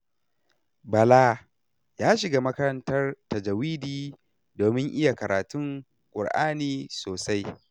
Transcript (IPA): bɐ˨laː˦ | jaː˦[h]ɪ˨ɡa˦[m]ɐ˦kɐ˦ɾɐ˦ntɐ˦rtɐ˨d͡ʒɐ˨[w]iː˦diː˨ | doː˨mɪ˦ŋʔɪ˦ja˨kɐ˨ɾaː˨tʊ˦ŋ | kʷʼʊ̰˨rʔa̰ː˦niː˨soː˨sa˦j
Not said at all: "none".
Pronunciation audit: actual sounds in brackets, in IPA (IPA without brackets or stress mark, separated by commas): ʃ, m, w